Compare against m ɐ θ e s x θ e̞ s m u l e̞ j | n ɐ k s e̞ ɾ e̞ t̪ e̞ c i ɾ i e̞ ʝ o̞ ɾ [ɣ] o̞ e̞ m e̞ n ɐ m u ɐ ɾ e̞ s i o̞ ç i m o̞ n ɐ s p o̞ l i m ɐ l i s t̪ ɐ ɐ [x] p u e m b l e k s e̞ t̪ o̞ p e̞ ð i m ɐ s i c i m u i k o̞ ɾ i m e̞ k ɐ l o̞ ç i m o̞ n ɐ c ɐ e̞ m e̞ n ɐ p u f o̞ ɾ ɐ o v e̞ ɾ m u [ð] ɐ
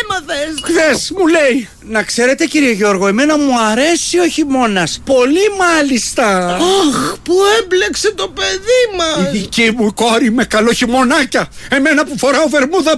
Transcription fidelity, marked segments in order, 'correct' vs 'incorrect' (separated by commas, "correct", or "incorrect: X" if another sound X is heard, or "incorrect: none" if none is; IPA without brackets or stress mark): correct, correct, correct